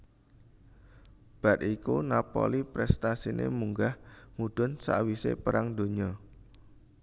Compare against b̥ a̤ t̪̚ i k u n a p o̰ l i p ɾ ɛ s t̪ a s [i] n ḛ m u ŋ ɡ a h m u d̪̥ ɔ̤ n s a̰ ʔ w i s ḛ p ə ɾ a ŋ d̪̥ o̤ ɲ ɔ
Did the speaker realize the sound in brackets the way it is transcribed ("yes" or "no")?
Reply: yes